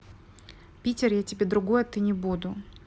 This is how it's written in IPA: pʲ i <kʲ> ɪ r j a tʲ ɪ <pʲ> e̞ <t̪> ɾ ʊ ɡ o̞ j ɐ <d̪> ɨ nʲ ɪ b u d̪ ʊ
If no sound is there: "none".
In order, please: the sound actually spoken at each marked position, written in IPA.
tʲ, bʲ, d̪, t̪

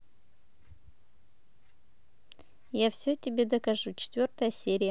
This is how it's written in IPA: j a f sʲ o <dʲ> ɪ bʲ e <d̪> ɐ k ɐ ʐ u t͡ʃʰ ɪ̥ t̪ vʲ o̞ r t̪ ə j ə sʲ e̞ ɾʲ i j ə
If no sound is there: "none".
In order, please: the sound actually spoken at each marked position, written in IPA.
tʲ, d̪

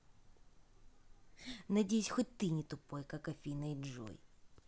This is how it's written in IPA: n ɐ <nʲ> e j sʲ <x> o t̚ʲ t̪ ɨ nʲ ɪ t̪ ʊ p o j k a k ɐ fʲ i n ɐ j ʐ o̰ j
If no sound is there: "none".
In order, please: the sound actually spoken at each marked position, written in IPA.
dʲ, x

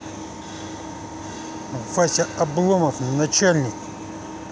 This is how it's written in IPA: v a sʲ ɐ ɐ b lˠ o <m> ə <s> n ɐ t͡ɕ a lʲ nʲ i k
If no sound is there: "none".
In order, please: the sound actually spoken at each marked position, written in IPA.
m, f

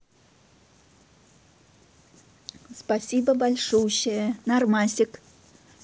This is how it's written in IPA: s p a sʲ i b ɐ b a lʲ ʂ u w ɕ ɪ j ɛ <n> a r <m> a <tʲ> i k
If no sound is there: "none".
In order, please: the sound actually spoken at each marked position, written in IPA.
n, m, sʲ

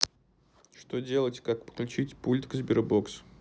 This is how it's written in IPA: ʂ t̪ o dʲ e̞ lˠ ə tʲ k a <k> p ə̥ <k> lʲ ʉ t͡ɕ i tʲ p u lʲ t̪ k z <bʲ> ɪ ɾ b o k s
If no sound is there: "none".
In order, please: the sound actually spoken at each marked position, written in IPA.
k, k, bʲ

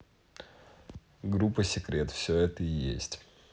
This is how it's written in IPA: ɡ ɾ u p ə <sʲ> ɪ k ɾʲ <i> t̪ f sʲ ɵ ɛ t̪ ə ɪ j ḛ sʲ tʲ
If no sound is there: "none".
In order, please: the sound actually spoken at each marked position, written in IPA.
sʲ, e

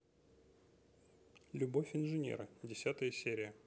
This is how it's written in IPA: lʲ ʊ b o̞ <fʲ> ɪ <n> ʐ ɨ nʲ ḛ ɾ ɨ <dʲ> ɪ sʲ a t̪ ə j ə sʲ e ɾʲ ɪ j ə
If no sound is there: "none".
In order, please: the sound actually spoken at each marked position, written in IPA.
fʲ, n, dʲ

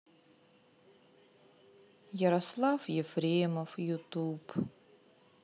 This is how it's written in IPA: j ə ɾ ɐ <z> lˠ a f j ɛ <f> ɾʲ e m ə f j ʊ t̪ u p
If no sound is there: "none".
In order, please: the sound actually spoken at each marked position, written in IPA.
s, f

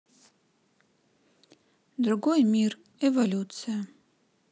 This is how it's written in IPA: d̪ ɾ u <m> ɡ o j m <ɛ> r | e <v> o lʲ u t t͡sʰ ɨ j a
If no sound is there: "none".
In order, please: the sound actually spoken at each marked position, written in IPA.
none, i, v

